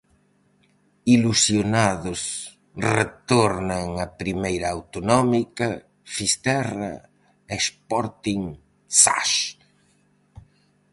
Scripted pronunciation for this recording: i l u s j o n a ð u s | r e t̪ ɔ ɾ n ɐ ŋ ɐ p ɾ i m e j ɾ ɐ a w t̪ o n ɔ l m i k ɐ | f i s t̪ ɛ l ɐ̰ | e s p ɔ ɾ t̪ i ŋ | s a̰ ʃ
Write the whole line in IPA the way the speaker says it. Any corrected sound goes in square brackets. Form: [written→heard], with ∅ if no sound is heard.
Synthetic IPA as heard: i l u s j o n a ð [u→ʊ] s | r e t̪ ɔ ɾ n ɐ ŋ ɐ p ɾ i m e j ɾ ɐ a w t̪ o n ɔ [l→∅] m i k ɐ | f i s t̪ ɛ [l→r] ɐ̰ | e s p ɔ ɾ t̪ i ŋ | s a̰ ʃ